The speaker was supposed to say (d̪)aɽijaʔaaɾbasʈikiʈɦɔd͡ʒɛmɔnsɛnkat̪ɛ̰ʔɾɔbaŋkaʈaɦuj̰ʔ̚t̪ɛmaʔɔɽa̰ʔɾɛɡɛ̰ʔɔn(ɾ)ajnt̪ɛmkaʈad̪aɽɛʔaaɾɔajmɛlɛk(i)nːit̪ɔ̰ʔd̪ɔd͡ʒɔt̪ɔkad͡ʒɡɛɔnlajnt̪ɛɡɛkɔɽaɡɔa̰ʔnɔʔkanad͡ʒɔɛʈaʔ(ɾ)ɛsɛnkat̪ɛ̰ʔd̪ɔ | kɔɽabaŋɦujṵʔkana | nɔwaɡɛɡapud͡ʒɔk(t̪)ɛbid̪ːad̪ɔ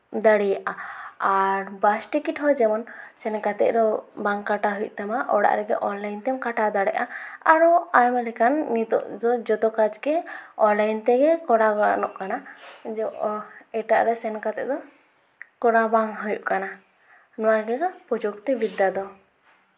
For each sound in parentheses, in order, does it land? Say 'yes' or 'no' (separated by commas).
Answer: yes, no, no, yes, yes